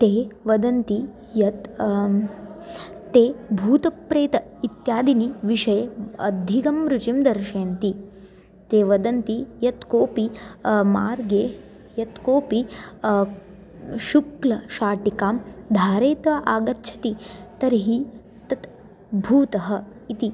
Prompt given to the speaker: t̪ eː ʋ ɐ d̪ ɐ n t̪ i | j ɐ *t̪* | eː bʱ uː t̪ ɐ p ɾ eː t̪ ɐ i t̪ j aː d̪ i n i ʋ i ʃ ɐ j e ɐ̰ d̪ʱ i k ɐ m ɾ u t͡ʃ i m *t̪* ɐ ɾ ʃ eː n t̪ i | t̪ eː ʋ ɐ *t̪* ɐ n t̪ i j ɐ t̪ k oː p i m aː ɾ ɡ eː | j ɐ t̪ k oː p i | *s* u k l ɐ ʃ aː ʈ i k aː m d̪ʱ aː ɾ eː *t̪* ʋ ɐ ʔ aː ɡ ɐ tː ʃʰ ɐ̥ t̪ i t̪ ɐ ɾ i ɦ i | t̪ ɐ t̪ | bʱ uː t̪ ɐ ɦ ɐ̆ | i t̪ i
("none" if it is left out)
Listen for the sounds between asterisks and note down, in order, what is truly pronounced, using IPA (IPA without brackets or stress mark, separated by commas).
t̪, d̪, d̪, ʃ, t̪